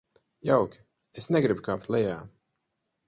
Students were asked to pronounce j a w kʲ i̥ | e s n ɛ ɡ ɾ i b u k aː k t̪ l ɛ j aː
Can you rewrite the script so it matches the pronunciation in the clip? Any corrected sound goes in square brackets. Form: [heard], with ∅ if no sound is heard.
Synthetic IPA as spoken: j a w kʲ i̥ | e s n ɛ ɡ ɾ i b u k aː [p] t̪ l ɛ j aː